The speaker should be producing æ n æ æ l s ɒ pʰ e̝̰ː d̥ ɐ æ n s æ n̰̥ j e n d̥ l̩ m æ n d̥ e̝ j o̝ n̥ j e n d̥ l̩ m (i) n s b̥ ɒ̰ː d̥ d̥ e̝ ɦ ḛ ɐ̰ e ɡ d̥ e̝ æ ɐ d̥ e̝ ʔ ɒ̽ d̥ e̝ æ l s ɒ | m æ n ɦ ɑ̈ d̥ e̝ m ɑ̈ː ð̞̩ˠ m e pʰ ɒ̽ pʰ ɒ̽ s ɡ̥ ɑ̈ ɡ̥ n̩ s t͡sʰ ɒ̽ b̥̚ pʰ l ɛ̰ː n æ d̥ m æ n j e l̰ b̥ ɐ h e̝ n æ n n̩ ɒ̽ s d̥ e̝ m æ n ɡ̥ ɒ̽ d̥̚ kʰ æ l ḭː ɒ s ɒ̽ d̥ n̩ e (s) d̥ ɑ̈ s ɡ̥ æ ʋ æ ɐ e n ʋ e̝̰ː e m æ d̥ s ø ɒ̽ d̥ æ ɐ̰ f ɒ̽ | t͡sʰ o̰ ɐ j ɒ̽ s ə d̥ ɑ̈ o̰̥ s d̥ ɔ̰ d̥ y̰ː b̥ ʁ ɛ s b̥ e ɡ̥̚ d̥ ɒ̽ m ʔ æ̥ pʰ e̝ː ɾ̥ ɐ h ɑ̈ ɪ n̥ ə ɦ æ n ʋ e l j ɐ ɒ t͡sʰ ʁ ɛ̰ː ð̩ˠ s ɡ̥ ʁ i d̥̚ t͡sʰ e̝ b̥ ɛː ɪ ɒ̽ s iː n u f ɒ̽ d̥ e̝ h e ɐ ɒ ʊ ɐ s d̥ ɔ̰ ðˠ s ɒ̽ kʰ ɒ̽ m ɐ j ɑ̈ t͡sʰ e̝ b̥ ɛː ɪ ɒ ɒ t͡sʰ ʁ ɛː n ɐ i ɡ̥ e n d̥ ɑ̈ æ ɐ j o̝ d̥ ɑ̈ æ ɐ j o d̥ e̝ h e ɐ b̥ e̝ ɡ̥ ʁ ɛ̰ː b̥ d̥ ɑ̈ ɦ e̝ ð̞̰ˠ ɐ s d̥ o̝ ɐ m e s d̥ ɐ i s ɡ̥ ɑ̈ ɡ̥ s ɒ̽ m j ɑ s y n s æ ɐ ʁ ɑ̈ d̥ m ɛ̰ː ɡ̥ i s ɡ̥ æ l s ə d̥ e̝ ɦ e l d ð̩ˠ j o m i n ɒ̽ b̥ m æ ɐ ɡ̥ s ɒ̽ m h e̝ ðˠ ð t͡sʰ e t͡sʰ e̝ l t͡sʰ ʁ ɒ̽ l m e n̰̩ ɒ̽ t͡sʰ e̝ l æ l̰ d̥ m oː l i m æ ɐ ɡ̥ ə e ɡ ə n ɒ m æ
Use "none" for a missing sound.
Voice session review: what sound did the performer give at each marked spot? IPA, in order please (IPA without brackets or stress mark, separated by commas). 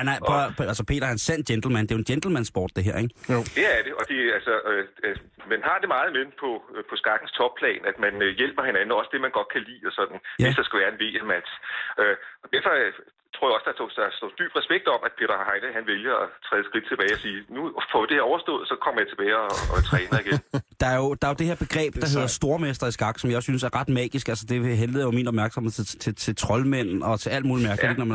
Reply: æ, s